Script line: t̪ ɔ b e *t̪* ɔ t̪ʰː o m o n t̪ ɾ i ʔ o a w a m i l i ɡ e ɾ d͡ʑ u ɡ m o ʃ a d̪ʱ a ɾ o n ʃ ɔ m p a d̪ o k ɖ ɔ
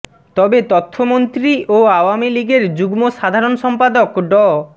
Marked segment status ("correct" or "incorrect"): correct